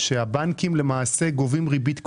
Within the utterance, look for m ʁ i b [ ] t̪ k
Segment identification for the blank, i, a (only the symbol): i